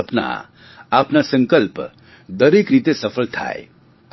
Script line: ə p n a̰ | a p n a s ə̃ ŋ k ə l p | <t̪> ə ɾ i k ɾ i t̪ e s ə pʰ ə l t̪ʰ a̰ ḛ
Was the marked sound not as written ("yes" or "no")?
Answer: yes